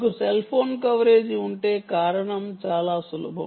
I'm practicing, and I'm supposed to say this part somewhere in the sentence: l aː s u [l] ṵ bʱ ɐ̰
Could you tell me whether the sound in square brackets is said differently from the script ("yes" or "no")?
no